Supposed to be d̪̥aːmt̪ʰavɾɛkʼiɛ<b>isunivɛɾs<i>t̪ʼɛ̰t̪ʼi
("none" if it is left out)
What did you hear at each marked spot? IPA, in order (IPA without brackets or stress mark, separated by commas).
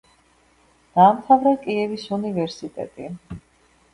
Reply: v, i